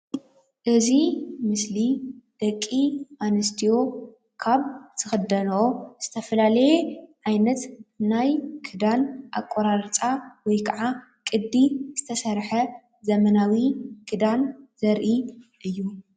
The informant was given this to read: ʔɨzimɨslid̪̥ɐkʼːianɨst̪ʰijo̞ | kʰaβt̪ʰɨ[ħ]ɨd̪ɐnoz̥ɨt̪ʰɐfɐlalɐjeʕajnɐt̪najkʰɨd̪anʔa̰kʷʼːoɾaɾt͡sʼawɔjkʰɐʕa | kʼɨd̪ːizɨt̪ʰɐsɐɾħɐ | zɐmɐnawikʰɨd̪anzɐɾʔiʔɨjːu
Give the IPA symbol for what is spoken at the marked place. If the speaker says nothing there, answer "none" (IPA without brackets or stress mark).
x